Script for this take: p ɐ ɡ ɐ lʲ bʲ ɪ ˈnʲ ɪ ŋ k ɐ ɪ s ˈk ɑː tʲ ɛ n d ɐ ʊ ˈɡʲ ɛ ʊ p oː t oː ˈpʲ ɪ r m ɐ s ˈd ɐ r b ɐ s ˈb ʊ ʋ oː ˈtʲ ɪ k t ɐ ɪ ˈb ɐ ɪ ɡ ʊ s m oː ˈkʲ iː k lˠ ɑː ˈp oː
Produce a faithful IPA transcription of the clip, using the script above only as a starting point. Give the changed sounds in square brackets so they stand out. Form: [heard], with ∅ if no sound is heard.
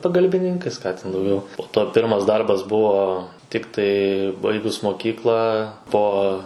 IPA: p ɐ ɡ ɐ lʲ bʲ ɪ ˈnʲ ɪ ŋ k ɐ ɪ s ˈk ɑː tʲ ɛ n d ɐ ʊ ˈɡʲ ɛ ʊ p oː t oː ˈpʲ ɪ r m ɐ s ˈd ɐ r b ɐ s ˈb ʊ ʋ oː ˈtʲ ɪ k t ɐ ɪ ˈb ɐ ɪ ɡ ʊ s m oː ˈkʲ iː k lˠ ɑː ˈp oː